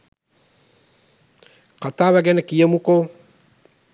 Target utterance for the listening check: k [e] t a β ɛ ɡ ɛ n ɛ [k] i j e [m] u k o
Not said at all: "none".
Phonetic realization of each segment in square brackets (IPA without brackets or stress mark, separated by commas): a, k, m